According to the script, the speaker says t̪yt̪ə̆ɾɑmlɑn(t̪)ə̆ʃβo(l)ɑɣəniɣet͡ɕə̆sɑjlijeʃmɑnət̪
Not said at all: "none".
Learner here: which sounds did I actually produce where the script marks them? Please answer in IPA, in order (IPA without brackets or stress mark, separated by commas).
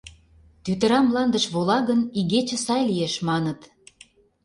d̪, l